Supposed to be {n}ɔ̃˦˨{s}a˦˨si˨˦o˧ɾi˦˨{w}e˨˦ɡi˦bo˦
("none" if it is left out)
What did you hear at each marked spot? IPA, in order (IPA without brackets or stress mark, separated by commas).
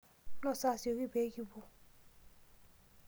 n, s, b